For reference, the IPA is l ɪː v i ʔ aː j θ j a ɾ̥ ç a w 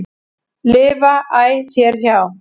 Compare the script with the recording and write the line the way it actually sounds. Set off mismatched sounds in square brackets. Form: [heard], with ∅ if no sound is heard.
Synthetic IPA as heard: l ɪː v [a] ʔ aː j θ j [ɛ] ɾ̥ ç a w